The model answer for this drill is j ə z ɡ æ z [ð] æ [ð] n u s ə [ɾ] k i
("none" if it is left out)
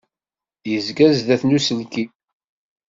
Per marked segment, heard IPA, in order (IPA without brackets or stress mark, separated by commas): ð, θ, l